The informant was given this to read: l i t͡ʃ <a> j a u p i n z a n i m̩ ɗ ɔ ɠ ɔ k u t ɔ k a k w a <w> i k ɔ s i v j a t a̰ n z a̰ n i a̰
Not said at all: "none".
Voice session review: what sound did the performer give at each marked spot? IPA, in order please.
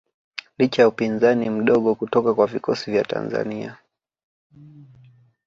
a, v

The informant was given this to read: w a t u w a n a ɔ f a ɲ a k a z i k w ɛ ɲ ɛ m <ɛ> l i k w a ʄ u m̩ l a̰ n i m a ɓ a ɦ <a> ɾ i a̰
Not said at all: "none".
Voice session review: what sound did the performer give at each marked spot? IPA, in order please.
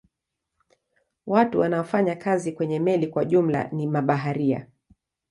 ɛ, a

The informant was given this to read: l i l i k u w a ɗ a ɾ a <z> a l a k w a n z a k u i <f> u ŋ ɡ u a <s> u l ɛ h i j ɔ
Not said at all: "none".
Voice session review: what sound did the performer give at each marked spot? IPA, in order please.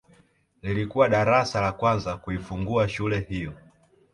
s, f, ʃ

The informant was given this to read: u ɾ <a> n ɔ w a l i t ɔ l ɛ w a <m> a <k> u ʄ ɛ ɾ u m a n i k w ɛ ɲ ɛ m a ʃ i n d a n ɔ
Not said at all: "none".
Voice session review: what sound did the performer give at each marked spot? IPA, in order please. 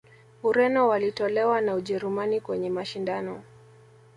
ɛ, n, none

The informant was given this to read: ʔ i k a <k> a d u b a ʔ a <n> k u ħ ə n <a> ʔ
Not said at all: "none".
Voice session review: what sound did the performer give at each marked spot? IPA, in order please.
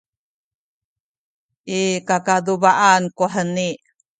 k, n, i

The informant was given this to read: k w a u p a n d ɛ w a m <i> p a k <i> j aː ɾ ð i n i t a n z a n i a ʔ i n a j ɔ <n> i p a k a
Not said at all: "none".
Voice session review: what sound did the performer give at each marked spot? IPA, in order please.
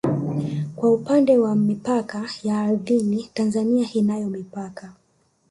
i, a, m

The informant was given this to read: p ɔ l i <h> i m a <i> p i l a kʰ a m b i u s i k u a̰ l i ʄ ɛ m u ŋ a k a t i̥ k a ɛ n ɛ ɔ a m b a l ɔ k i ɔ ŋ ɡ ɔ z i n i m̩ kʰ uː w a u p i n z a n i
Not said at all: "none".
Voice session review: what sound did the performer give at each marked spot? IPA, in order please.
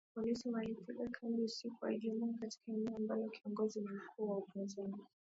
s, i

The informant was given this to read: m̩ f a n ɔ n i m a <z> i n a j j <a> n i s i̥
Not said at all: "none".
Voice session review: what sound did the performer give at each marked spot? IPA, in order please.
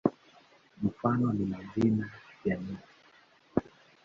z, a

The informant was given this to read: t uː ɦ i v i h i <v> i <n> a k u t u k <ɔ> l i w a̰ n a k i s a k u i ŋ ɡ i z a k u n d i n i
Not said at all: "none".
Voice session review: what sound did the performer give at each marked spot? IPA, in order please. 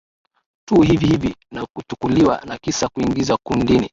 v, n, u

